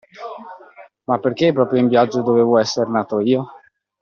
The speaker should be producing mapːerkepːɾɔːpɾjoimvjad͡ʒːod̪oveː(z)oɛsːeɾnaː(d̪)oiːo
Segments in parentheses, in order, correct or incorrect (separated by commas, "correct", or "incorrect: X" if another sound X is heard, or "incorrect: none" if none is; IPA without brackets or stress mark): incorrect: v, incorrect: t̪